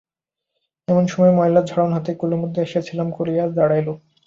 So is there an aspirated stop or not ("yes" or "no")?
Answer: yes